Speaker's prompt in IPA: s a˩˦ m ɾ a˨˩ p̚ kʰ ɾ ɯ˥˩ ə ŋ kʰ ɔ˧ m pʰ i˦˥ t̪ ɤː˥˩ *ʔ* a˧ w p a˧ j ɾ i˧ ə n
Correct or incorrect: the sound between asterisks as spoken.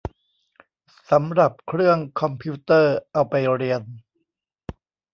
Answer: correct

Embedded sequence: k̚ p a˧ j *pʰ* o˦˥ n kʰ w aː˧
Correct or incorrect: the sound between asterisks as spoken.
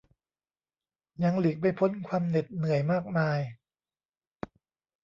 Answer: correct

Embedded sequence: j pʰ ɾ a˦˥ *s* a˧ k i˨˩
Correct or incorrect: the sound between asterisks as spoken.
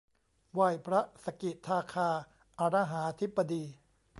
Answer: correct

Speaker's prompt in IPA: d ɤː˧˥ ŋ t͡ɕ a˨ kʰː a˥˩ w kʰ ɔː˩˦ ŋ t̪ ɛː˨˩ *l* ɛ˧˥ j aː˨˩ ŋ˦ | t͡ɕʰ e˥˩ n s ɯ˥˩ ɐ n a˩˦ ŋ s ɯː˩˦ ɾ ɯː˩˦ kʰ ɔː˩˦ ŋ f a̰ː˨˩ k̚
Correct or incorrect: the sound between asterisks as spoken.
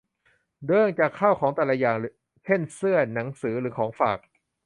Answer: correct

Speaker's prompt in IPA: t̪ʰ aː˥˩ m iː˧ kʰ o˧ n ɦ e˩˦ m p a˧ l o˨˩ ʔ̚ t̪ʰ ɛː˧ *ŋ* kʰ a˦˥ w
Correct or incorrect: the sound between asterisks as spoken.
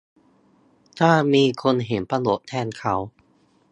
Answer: incorrect: n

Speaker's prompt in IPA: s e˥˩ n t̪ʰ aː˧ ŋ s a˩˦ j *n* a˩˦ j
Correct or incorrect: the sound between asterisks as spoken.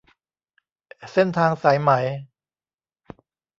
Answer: incorrect: m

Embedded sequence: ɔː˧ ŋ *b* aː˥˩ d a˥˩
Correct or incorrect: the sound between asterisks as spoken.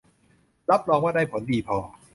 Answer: incorrect: w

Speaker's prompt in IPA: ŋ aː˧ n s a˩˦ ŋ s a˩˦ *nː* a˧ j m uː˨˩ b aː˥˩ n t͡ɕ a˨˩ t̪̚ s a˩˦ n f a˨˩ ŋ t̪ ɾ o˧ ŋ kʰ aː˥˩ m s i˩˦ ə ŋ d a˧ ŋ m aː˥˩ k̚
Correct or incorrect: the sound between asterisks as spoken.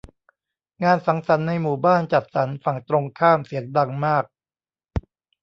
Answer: correct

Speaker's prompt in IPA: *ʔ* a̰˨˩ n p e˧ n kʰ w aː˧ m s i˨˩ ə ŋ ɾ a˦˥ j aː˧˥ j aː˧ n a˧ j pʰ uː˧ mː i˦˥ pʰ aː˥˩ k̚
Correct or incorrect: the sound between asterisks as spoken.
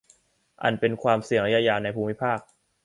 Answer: correct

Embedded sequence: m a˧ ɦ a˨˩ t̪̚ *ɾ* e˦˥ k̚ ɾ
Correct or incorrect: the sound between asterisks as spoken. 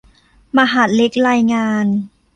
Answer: incorrect: l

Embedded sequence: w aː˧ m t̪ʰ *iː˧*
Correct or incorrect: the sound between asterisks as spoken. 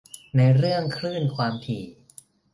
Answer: incorrect: iː˨˩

